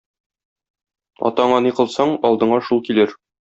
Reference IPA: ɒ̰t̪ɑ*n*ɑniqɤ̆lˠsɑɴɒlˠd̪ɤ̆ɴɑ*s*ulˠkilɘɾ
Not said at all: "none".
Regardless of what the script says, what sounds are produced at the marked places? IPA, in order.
ɴ, ʃ

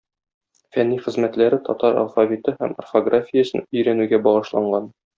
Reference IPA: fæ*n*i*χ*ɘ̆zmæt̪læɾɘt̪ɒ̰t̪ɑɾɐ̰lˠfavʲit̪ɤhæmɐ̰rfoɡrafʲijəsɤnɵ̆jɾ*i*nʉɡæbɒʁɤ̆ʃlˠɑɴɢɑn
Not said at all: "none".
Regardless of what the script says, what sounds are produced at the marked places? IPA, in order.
nː, χ, æ

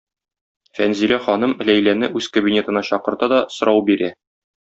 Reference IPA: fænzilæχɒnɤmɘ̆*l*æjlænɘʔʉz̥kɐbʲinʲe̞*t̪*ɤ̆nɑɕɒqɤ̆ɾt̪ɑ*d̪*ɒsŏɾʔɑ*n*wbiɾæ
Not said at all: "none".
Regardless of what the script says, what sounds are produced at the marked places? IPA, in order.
l, t̪, d̪, none

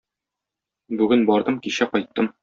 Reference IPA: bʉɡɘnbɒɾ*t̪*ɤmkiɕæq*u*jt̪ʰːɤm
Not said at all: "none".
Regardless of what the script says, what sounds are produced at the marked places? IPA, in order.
d̪, ɒ

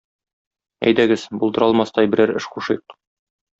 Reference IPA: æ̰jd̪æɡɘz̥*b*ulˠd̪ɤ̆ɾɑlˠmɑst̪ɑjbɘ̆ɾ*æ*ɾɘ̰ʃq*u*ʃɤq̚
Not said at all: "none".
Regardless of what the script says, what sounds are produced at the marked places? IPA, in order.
b, æ, u

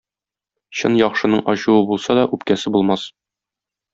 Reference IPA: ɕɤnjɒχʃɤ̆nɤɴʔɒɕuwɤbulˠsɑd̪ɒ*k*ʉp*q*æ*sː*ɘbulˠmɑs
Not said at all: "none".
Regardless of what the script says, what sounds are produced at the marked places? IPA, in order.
ʔ, k, s

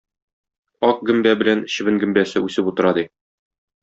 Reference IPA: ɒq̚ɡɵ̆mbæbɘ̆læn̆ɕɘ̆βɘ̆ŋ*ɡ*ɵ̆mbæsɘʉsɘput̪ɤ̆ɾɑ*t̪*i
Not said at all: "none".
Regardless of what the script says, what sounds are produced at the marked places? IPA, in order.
ɡ, d̪

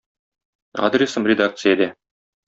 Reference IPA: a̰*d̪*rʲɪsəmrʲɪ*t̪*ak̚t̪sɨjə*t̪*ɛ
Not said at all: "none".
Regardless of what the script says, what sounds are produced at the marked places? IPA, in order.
d̪, d̪, d̪

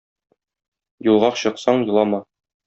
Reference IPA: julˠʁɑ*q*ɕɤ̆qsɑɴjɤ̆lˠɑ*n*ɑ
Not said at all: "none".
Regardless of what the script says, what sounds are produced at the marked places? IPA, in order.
q, m

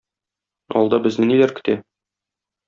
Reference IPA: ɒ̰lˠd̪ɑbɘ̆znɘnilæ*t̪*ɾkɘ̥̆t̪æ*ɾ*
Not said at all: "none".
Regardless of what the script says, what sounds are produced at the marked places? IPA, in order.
none, none

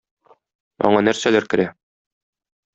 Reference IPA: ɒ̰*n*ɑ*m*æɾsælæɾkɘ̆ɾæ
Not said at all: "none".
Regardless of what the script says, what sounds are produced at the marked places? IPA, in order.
ɴ, n

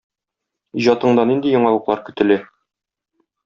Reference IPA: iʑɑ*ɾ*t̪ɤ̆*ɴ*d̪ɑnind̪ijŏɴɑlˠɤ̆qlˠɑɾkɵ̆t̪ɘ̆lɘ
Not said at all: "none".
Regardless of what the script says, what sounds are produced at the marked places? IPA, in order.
none, ɴ

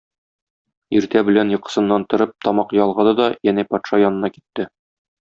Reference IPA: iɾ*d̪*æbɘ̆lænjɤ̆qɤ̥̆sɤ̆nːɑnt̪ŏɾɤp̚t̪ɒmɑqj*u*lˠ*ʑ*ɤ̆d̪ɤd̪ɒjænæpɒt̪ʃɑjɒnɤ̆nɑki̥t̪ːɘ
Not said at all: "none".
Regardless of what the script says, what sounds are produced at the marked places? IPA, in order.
t̪, ɒ, ʁ

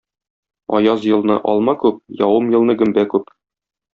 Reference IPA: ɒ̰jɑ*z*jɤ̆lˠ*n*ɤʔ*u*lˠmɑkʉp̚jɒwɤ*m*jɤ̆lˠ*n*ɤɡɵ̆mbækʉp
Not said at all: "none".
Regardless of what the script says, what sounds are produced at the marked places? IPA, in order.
z, n, ɒ, m, n

